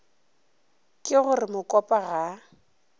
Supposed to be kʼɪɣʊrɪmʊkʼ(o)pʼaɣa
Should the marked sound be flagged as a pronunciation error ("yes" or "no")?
yes